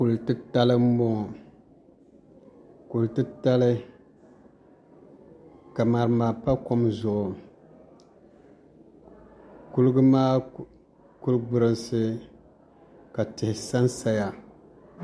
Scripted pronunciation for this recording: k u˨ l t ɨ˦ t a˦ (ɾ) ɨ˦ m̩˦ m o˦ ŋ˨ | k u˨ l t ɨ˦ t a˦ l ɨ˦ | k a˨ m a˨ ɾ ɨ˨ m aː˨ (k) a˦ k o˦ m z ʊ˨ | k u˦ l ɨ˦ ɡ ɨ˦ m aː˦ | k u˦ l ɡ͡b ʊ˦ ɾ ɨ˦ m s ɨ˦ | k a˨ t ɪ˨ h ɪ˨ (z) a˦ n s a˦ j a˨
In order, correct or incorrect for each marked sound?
incorrect: l, incorrect: p, incorrect: s

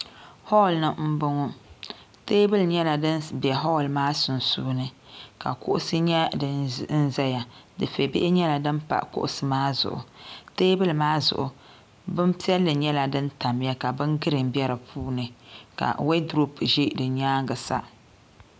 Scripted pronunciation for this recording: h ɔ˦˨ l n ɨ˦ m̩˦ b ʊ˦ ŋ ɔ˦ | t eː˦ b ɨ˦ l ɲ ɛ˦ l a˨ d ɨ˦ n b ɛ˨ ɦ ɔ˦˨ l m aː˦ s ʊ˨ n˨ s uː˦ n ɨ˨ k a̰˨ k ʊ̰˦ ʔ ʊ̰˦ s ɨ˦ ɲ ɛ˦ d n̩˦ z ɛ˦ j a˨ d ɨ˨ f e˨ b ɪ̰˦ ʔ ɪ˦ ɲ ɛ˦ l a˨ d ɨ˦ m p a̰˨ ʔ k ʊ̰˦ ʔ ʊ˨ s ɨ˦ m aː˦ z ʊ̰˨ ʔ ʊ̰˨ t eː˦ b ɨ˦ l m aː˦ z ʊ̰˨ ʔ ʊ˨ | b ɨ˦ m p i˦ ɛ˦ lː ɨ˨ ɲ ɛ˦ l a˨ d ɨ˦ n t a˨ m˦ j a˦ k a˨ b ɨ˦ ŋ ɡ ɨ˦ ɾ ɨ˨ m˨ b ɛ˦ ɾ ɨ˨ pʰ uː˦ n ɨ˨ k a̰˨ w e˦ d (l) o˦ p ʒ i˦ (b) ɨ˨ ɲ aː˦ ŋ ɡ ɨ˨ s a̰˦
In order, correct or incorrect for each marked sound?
incorrect: ɾ, incorrect: d

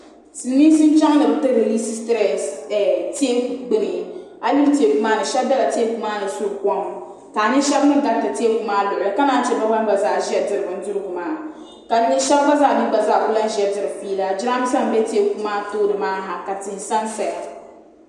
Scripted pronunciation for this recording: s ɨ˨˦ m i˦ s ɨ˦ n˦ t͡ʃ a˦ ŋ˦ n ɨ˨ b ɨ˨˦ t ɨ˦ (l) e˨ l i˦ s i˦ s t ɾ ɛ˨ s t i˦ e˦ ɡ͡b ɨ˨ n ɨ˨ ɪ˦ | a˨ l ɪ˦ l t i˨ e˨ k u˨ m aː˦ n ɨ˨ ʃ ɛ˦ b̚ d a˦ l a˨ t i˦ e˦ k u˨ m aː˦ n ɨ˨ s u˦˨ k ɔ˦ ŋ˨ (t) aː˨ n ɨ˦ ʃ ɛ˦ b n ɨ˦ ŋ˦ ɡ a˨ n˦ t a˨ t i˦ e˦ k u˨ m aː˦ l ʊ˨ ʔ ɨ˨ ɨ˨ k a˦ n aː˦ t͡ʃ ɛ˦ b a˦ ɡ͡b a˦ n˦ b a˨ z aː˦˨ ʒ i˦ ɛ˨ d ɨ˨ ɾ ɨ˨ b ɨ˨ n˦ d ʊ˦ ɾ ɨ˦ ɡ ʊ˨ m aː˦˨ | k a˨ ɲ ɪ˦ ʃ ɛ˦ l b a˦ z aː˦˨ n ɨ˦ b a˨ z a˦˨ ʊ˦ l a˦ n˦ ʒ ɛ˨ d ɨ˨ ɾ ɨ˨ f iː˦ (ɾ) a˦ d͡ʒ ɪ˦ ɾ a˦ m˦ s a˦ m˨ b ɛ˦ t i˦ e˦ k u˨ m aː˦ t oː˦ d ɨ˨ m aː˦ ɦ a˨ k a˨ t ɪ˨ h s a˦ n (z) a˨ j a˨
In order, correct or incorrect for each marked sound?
incorrect: ɾ, correct, incorrect: l, incorrect: s

